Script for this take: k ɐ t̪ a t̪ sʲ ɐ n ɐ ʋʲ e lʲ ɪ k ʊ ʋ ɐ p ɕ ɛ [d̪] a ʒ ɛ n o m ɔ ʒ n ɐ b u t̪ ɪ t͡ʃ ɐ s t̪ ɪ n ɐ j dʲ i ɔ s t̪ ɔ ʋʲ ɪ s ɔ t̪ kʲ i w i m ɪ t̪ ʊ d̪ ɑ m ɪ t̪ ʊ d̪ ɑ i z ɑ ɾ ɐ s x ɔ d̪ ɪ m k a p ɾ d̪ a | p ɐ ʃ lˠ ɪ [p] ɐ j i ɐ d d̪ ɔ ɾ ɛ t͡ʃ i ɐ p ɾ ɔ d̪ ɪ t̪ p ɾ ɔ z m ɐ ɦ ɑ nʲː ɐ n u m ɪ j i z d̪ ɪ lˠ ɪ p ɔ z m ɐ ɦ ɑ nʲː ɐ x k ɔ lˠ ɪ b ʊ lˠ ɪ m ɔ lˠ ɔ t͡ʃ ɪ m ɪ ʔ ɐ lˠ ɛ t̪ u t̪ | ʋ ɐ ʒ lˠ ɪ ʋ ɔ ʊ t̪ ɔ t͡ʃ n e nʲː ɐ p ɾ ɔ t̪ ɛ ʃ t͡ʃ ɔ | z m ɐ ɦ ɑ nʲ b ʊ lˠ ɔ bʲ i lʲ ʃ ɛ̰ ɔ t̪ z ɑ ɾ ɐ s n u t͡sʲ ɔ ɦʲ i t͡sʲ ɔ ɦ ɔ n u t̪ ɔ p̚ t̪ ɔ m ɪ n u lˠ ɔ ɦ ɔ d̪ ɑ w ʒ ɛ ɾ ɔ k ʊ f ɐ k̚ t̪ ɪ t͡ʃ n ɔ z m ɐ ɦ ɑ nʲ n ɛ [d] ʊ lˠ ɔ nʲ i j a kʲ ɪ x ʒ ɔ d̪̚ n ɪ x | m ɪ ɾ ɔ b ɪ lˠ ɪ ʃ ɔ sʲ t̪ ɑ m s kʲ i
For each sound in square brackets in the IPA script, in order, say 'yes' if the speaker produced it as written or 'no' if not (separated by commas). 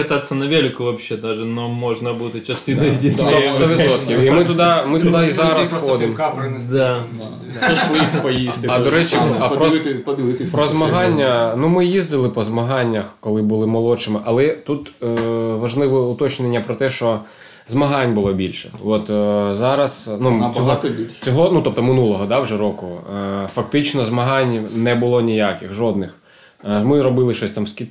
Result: yes, yes, no